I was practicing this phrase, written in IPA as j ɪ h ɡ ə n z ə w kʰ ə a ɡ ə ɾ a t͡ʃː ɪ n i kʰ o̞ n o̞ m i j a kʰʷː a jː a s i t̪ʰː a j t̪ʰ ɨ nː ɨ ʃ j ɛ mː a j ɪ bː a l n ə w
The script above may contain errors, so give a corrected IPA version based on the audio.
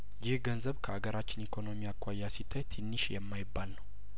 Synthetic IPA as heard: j ɪ h ɡ ə n z ə β kʰ ə a ɡ ə ɾ a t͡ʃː ɪ n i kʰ o̞ n o̞ m i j a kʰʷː a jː a s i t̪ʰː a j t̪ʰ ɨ nː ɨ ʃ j ɛ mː a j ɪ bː a l n ə w